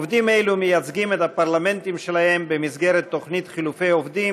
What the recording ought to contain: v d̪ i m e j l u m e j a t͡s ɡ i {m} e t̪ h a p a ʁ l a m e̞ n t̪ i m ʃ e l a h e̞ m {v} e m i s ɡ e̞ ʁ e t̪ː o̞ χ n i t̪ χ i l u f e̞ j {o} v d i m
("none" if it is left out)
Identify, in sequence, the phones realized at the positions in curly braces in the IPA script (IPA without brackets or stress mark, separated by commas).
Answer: m, b, o